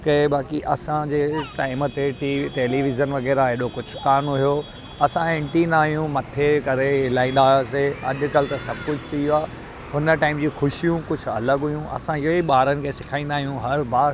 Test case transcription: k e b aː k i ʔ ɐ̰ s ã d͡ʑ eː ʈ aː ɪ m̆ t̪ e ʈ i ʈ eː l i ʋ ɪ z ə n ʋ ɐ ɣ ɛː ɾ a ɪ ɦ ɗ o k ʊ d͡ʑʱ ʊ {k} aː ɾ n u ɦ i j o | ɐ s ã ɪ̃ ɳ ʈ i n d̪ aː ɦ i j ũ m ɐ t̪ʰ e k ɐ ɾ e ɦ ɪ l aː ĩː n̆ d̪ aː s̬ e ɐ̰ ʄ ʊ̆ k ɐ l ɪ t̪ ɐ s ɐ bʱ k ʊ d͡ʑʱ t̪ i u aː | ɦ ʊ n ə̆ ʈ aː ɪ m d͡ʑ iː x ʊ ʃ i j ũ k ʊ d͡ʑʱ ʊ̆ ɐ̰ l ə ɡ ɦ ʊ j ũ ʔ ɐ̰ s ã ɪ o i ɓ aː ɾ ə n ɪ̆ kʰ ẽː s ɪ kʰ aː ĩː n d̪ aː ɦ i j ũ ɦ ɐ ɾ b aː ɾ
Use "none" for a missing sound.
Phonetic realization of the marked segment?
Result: k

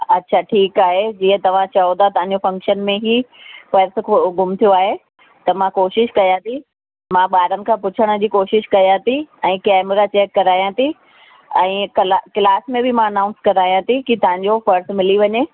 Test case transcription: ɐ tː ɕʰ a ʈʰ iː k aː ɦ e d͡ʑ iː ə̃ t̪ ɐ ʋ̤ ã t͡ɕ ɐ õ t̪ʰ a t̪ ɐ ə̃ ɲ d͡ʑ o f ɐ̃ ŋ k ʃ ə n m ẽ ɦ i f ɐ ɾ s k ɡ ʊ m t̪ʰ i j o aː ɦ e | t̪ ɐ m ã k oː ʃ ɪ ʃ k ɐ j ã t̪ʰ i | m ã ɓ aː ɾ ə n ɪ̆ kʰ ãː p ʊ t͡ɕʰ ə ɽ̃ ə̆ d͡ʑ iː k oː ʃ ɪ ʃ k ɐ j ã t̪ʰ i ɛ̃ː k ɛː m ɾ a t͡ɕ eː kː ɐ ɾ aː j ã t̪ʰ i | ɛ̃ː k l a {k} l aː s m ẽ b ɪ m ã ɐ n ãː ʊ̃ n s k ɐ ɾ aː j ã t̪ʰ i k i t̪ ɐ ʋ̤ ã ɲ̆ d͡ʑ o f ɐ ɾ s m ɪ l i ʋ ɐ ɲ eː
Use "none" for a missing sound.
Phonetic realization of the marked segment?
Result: k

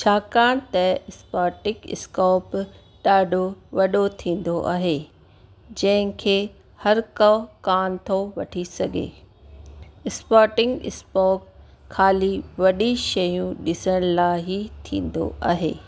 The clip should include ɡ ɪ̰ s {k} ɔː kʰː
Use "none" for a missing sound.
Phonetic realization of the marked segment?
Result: p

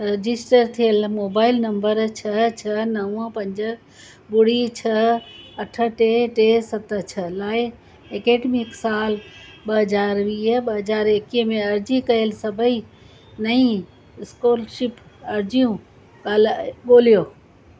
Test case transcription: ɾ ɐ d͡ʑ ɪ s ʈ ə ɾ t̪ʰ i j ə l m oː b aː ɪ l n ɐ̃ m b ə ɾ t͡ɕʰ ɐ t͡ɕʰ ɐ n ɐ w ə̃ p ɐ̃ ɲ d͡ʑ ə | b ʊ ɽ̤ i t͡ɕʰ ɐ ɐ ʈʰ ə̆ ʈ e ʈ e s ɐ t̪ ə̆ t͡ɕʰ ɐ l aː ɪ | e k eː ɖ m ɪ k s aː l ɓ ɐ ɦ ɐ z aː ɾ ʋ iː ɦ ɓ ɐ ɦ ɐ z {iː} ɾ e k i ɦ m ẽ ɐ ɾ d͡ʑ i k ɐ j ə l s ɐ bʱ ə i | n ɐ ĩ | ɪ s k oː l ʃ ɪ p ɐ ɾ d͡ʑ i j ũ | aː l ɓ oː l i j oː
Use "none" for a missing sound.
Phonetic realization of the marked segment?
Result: aː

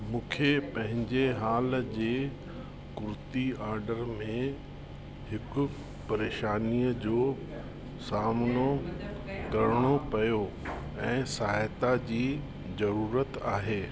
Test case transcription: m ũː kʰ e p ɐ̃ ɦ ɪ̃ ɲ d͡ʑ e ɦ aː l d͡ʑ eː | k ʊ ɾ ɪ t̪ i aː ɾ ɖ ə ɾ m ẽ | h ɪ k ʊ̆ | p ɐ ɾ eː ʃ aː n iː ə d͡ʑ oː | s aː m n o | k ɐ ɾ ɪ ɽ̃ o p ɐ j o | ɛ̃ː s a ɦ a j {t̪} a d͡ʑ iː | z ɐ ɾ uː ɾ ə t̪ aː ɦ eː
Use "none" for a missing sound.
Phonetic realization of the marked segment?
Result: t̪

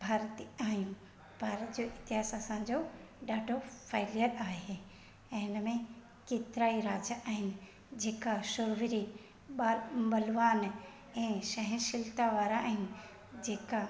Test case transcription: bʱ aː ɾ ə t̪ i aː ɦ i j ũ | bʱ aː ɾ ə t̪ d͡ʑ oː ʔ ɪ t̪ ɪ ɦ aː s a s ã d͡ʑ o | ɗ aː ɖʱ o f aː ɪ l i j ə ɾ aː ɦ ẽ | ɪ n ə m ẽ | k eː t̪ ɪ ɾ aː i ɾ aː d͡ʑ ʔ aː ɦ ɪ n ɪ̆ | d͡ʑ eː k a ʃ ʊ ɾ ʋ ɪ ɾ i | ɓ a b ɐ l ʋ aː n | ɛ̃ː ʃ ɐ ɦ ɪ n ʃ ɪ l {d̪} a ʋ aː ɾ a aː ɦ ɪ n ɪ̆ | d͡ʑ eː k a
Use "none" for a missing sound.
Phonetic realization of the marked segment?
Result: t̪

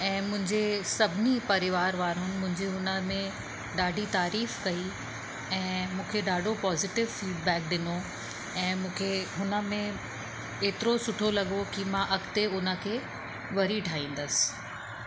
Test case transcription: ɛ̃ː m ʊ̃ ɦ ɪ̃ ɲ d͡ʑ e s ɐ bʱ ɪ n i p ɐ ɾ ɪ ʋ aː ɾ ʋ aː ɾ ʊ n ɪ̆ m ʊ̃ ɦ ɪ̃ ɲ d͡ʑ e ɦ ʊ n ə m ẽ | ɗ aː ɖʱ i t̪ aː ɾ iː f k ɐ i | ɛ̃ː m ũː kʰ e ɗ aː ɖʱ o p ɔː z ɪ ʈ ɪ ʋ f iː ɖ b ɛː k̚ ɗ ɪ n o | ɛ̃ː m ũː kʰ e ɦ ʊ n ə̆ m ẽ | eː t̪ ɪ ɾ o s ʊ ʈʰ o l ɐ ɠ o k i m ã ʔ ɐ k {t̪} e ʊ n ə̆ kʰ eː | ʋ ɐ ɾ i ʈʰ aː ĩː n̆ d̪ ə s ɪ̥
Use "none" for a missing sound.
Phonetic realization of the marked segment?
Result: t̪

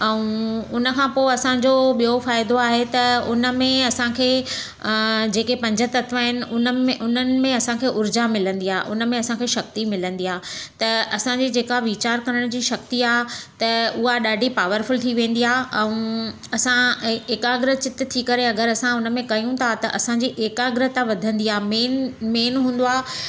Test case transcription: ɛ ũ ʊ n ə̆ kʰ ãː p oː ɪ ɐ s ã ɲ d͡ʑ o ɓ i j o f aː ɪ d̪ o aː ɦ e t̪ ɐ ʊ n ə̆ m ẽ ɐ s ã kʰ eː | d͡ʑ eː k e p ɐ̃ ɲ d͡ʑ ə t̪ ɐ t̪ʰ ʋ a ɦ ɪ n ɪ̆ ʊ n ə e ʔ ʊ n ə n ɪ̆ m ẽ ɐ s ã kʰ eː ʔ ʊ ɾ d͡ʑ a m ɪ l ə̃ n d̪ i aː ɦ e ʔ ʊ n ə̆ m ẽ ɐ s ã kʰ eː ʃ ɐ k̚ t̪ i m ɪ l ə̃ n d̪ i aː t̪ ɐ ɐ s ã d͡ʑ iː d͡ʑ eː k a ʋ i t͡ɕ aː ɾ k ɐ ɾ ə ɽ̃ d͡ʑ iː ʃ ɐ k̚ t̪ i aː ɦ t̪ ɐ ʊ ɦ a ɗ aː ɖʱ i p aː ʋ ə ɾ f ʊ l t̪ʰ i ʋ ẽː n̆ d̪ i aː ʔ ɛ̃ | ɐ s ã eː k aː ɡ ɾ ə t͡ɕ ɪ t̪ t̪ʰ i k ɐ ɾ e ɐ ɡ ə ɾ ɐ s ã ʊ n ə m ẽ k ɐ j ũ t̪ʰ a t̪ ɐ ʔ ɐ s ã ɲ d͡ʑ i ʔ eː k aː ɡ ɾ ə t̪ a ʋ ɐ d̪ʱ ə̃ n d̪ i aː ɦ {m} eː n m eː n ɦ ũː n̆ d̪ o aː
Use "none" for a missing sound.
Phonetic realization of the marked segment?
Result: m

